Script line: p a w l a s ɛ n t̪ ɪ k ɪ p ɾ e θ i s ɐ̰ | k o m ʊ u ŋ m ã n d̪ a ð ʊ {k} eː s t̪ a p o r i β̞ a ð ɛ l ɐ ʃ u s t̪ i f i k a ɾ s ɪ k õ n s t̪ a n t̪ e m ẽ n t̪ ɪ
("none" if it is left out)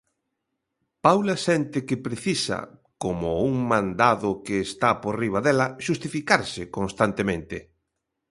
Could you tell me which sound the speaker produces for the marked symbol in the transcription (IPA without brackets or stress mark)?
k